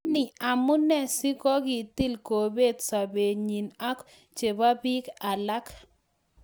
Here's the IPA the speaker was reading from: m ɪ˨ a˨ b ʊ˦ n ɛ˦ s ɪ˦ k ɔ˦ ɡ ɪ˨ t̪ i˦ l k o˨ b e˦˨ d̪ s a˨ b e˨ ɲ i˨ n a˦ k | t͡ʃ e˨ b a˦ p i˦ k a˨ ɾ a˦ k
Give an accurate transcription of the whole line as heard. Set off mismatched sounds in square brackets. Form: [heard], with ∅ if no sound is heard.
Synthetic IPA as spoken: [n] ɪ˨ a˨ [m] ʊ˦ n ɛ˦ s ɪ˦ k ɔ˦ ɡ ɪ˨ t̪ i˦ l k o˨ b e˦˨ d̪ s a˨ b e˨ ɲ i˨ n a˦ k | t͡ʃ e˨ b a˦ [b] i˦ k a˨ [l] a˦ k